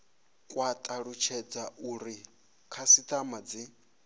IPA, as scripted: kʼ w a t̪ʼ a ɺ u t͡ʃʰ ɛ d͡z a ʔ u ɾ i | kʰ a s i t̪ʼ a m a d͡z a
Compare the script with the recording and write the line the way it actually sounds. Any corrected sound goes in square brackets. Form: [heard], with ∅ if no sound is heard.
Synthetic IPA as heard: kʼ w a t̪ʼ a ɺ u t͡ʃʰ ɛ d͡z a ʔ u ɾ i | kʰ a s i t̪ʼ a m a d͡z [i]